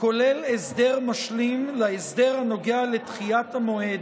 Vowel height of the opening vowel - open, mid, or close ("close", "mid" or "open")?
mid